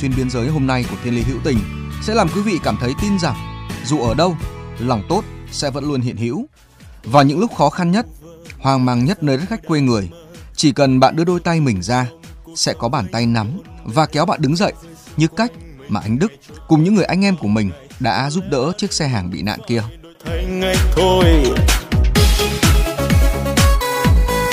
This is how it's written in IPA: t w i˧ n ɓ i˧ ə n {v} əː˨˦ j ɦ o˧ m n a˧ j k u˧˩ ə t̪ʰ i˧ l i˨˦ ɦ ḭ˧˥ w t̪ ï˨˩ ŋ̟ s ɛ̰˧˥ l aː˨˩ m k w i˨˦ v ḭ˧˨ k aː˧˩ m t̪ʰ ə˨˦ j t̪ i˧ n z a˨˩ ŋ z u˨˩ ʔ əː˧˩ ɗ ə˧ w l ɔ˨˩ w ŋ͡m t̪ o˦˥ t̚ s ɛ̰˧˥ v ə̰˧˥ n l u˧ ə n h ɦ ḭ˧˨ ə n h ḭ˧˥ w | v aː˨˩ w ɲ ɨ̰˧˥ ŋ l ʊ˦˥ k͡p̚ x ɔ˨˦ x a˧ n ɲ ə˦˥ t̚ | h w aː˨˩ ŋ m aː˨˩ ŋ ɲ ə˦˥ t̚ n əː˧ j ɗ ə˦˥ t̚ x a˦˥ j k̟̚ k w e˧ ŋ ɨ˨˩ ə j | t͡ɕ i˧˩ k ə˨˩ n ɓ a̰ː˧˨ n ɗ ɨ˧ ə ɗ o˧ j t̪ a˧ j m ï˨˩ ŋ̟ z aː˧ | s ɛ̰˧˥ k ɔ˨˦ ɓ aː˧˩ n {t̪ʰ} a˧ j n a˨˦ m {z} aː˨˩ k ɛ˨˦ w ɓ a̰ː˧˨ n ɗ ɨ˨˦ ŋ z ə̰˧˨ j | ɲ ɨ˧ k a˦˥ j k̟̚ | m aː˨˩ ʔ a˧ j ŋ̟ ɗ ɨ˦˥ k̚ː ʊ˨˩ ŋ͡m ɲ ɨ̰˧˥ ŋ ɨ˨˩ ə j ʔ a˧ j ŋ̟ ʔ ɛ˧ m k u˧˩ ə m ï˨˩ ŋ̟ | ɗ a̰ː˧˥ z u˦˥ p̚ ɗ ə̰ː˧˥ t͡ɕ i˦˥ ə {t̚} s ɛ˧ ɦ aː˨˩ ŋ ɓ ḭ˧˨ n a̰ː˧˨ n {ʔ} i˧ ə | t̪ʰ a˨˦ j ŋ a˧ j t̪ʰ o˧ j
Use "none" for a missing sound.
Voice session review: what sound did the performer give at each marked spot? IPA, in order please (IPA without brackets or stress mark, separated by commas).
z, t̪, v, k̚, k